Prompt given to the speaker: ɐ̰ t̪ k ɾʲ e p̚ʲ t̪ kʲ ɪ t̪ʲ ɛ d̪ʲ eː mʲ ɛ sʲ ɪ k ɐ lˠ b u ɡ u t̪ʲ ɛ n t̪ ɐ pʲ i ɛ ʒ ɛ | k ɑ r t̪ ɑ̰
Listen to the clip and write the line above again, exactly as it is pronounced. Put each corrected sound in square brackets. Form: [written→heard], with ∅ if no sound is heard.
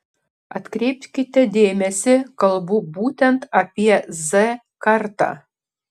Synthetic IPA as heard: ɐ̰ t̪ k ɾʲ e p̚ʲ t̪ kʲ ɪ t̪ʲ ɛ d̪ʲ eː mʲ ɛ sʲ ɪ k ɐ lˠ b u [ɡ→b] u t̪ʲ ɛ n t̪ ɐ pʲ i ɛ [ʒ→z] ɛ | k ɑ r t̪ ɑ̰

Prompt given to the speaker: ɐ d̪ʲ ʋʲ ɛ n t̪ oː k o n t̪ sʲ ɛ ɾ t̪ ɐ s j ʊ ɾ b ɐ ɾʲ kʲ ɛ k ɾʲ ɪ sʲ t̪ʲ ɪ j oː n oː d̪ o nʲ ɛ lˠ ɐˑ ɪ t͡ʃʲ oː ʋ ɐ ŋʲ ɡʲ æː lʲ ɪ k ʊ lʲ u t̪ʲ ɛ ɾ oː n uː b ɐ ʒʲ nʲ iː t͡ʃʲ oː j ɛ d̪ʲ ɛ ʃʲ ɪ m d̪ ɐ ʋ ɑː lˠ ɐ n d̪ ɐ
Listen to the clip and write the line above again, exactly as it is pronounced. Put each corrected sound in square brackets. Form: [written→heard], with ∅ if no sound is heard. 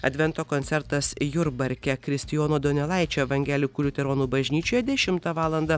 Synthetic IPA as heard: ɐ d̪ʲ ʋʲ ɛ n t̪ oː k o n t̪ sʲ ɛ ɾ t̪ ɐ s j ʊ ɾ b ɐ ɾʲ kʲ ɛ k ɾʲ ɪ sʲ t̪ʲ ɪ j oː n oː d̪ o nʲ ɛ lˠ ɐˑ ɪ t͡ʃʲ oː ʋ ɐ ŋʲ ɡʲ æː lʲ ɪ k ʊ lʲ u t̪ʲ ɛ ɾ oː n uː b ɐ ʒʲ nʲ iː t͡ʃʲ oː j ɛ d̪ʲ ɛ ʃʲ ɪ m [d̪→t̪] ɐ ʋ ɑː lˠ ɐ n d̪ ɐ

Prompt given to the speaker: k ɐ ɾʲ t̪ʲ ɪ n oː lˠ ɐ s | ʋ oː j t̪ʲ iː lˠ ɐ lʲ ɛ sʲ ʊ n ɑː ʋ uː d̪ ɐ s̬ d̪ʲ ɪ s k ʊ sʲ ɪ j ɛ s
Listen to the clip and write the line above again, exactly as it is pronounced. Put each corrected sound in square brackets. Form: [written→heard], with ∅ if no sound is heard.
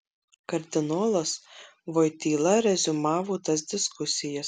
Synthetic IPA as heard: k ɐ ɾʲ [t̪ʲ→d̪ʲ] ɪ n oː lˠ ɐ s | ʋ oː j t̪ʲ iː lˠ ɐ [lʲ→ɾʲ] ɛ [sʲ→zʲ] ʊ [n→m] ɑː ʋ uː [d̪→t̪] ɐ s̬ d̪ʲ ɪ s k ʊ sʲ ɪ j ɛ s

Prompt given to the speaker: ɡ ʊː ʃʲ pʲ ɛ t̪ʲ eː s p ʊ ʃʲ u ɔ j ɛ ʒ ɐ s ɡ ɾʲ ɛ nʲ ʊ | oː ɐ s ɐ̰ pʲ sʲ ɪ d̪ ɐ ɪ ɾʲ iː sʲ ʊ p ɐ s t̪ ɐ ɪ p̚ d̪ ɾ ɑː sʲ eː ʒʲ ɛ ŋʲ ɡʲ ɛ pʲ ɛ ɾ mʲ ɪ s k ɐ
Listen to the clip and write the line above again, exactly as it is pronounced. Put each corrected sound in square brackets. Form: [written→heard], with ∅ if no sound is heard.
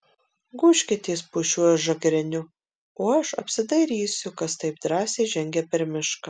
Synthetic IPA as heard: ɡ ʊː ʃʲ [pʲ→kʲ] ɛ t̪ʲ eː s p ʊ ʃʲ u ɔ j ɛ ʒ ɐ [s→∅] ɡ ɾʲ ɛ nʲ ʊ | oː ɐ [s→ʃ] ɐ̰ pʲ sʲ ɪ d̪ ɐ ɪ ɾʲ iː sʲ ʊ [p→k] ɐ s t̪ ɐ ɪ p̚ d̪ ɾ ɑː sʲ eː ʒʲ ɛ ŋʲ ɡʲ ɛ pʲ ɛ ɾ mʲ ɪ [s→ʃ] k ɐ

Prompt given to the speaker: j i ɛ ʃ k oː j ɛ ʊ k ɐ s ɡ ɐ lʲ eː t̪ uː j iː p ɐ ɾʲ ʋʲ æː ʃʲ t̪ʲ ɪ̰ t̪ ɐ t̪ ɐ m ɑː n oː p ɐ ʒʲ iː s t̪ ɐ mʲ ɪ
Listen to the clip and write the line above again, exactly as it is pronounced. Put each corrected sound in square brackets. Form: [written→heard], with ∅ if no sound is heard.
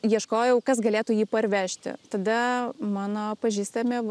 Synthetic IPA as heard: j i ɛ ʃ k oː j ɛ ʊ k ɐ s ɡ ɐ lʲ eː t̪ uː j iː p ɐ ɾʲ ʋʲ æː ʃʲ t̪ʲ ɪ̰ t̪ ɐ [t̪→d̪] ɐ m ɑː n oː p ɐ ʒʲ iː s t̪ ɐ mʲ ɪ

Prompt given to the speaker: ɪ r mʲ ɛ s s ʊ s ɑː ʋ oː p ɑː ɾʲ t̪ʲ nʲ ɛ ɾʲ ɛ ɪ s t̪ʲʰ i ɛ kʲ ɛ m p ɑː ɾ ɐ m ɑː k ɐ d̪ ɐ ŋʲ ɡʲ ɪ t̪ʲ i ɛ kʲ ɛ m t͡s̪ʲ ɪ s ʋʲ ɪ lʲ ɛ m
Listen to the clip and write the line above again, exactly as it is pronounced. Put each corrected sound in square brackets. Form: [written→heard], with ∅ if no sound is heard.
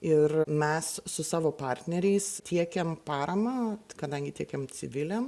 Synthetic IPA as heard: ɪ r mʲ ɛ s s ʊ s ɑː ʋ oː p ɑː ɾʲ t̪ʲ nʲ ɛ ɾʲ ɛ ɪ s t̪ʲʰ i ɛ kʲ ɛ m p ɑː ɾ ɐ m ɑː k ɐ d̪ ɐ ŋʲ ɡʲ ɪ t̪ʲ i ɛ kʲ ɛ m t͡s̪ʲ ɪ [s→∅] ʋʲ ɪ lʲ ɛ m

